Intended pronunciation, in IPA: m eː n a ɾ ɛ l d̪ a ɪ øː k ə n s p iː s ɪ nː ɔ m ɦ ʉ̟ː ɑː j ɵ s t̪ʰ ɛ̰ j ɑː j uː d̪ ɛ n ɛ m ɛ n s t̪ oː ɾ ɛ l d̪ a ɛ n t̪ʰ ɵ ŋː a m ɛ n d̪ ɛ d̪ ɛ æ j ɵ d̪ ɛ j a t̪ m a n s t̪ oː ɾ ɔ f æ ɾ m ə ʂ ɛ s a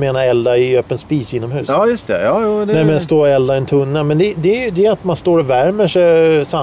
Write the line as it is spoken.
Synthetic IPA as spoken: m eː n a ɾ ɛ l d̪ a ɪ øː p ə n s p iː s ɪ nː ɔ m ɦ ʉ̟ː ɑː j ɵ s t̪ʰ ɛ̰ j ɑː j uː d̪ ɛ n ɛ m ɛ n s t̪ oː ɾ ɛ l d̪ a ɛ n t̪ʰ ɵ nː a m ɛ n d̪ ɛ d̪ ɛ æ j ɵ d̪ ɛ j a t̪ m a n s t̪ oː ɾ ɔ v æ ɾ m ə ʂ ɛ s a